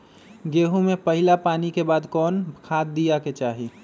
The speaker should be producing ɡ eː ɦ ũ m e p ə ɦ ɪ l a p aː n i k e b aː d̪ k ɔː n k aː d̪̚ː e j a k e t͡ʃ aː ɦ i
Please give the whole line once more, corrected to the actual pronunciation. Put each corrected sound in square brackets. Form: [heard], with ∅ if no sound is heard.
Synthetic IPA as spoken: ɡ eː ɦ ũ m e p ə ɦ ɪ l a p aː n i k e b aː d̪ k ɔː n [kʰ] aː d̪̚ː [i] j a k e t͡ʃ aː ɦ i